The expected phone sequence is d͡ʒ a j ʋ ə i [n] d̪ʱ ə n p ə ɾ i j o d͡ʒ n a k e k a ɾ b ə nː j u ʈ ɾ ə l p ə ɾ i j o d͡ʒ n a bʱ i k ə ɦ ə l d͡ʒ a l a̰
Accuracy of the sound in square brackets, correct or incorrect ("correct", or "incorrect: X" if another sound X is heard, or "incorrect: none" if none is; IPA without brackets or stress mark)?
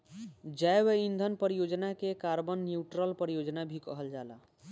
correct